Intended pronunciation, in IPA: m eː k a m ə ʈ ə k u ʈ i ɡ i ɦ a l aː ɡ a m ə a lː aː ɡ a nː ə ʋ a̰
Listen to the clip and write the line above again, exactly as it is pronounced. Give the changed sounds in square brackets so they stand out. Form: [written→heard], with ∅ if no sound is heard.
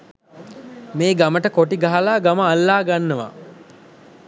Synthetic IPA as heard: m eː [k→ɡ] a m ə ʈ ə k [u→o] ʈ i ɡ [i→a] ɦ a l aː ɡ a m ə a lː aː ɡ a nː ə ʋ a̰